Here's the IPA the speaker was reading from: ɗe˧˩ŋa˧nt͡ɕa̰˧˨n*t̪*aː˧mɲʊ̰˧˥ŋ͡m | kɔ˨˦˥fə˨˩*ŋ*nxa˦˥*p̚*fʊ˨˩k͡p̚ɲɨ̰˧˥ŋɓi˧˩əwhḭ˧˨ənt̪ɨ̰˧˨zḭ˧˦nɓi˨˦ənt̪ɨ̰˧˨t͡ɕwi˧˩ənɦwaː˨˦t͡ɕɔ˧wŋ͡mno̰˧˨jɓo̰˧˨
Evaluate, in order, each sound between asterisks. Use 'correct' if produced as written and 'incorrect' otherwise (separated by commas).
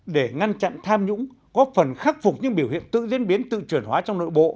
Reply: incorrect, incorrect, incorrect